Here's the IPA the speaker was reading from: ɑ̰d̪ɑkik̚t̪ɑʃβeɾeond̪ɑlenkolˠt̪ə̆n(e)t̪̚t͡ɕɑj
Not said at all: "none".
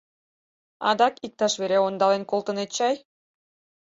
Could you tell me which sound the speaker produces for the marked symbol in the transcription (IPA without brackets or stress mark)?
e